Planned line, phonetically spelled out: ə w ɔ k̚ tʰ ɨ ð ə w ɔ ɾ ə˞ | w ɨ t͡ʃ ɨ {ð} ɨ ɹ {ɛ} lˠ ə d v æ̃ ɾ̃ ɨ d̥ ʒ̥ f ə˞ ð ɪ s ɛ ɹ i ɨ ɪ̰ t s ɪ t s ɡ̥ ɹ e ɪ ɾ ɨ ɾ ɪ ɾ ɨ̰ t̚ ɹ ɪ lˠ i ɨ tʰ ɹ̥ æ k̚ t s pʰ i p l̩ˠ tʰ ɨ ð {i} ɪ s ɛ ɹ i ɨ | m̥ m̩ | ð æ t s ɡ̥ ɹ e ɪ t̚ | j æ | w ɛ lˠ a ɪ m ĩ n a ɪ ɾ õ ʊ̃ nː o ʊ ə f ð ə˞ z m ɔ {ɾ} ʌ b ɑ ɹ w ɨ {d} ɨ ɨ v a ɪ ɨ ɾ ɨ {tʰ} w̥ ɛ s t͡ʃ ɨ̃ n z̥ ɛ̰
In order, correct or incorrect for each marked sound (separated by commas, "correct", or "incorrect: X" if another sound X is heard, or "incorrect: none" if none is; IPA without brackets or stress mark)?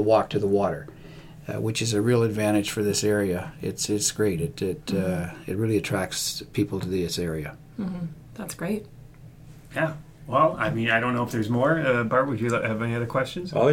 incorrect: z, incorrect: i, correct, incorrect: ɹ, incorrect: d͡ʒ, incorrect: kʰ